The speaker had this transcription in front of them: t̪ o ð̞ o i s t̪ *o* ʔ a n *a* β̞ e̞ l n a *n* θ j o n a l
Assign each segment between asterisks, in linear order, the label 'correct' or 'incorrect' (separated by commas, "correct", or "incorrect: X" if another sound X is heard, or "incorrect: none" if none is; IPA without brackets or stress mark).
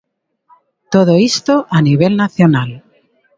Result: correct, incorrect: i, incorrect: none